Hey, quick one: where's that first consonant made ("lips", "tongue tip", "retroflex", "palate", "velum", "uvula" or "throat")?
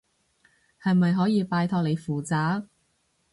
throat